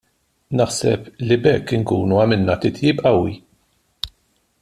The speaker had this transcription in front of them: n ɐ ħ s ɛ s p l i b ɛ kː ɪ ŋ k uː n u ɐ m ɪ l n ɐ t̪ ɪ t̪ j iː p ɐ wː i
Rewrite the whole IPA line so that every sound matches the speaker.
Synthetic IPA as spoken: n ɐ ħ s ɛ p l i b ɛ kː ɪ ŋ k uː n u ɐ m ɪ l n ɐ t̪ ɪ t̪ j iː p ɐ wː i